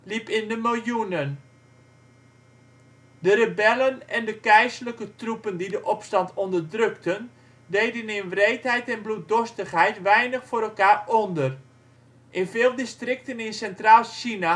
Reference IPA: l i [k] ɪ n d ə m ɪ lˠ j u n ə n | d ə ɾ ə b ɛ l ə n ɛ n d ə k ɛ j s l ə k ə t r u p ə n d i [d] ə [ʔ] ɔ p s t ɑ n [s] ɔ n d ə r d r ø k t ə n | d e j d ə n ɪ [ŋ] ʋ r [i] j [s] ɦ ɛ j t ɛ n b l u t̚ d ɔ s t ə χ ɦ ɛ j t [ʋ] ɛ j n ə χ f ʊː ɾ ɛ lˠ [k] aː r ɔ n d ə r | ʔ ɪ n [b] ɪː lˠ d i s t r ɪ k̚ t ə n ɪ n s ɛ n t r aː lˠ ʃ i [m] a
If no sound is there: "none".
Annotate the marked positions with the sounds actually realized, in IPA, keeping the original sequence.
p, d, ʔ, t, n, e, t, ʋ, k, v, n

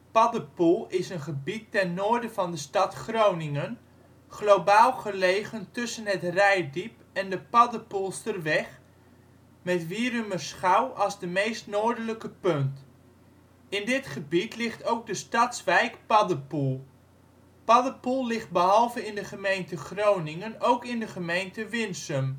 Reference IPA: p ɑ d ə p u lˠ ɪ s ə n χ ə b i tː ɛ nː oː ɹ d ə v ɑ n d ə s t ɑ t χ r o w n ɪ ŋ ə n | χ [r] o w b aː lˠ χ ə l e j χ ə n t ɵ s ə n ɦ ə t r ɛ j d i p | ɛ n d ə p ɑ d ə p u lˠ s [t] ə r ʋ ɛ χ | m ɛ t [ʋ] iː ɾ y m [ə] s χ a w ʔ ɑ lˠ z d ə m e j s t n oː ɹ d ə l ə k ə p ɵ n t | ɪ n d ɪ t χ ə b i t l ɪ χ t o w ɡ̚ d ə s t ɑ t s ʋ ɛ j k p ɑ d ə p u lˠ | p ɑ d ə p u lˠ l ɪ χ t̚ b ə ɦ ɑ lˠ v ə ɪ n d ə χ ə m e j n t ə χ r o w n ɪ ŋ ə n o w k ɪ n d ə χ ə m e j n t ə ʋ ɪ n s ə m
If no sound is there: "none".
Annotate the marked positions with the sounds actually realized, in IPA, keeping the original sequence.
l, t, ʋ, ə

